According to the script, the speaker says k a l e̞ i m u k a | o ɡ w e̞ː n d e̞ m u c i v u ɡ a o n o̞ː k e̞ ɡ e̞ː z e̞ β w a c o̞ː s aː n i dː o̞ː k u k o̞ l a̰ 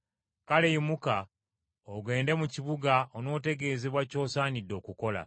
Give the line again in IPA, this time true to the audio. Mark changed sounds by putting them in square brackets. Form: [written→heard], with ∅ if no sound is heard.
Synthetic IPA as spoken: k a l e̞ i m u k a | o ɡ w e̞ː n d e̞ m u c i [v→β] u ɡ a o n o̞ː [k→t] e̞ ɡ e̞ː z e̞ β w a c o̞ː s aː n i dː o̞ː k u k o̞ l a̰